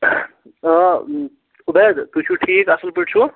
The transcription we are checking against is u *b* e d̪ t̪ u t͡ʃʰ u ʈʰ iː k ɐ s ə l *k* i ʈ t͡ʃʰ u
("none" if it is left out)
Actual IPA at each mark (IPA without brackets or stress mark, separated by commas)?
b, p